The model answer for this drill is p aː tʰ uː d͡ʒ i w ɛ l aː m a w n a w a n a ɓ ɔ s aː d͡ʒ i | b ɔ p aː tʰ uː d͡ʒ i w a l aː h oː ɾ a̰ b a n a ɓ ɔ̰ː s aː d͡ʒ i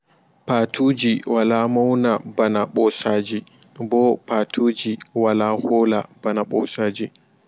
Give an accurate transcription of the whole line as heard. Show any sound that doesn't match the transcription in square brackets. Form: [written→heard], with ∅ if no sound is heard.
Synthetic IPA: p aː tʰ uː d͡ʒ i w [ɛ→a] l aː m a w n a [w→b] a n a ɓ ɔ s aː d͡ʒ i | b ɔ p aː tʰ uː d͡ʒ i w a l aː h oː [ɾ→l] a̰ b a n a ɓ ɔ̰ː s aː d͡ʒ i